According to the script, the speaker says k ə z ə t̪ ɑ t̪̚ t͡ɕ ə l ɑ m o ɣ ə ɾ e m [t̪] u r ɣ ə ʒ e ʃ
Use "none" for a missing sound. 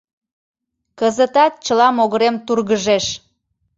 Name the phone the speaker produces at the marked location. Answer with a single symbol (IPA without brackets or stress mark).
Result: t̪